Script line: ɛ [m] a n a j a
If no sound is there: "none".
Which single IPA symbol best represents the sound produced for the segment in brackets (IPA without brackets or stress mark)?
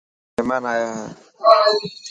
m